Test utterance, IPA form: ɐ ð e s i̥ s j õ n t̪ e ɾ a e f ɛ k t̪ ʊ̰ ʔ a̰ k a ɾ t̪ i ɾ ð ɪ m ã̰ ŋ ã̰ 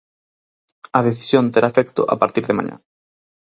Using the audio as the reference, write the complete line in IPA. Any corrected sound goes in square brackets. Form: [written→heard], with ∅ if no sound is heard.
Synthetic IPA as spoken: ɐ ð e [s→θ] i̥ s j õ n t̪ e ɾ a e f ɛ k t̪ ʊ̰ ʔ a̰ [k→p] a ɾ t̪ i ɾ ð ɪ m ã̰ [ŋ→ɲ] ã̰